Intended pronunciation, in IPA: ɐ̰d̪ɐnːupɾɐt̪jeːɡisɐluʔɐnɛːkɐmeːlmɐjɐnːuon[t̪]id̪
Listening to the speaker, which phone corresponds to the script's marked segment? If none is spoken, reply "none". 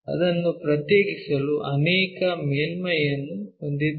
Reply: d̪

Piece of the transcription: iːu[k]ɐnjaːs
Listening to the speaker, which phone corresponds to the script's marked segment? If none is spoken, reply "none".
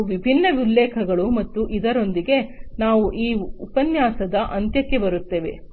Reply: p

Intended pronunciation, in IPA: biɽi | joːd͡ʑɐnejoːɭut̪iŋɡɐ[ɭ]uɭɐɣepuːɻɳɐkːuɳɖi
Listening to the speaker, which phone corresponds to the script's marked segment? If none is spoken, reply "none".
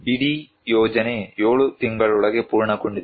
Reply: ɭ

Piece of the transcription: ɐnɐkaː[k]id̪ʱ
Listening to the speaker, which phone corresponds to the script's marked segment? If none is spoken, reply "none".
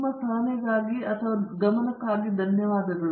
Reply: ɡ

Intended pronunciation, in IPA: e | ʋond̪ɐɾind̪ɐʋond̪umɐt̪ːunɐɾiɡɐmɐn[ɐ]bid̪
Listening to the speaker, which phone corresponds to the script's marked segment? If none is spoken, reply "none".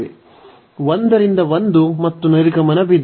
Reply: ɐ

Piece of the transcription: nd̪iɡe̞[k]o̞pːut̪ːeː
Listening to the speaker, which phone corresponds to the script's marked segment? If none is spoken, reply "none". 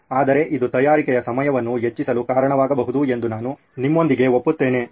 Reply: none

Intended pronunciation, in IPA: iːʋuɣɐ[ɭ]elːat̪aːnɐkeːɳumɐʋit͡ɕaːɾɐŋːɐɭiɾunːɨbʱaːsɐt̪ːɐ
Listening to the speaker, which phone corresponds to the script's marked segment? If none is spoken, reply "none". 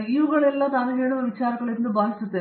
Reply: ɭ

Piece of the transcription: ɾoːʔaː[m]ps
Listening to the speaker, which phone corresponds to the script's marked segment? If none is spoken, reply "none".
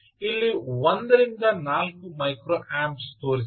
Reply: m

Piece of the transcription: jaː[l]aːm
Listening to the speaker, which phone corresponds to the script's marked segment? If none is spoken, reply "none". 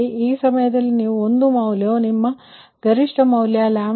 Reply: l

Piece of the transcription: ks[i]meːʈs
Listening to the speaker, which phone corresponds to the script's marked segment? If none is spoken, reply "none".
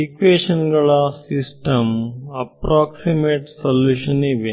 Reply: i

